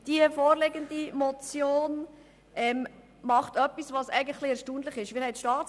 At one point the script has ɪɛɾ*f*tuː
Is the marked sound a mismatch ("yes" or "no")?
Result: yes